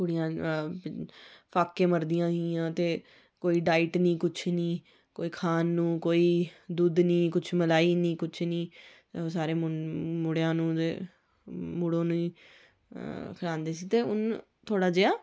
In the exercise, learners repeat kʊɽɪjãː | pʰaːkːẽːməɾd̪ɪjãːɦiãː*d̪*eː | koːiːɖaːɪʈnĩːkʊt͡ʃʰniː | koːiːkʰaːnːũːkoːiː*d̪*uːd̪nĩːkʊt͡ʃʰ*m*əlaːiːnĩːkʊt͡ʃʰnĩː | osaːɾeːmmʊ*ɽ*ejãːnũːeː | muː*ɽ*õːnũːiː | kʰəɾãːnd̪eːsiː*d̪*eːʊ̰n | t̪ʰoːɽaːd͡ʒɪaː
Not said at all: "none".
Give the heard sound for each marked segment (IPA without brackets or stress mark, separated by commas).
t̪, d̪, m, ɽ, ɽ, t̪